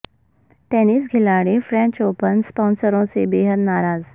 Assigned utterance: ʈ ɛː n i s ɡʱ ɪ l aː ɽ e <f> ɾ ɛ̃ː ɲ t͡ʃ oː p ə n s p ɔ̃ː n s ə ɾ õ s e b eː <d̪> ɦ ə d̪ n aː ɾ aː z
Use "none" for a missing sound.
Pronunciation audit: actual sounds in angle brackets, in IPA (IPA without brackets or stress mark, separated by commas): f, none